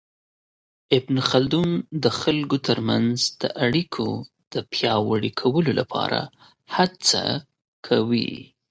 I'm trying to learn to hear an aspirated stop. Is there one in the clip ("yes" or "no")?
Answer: yes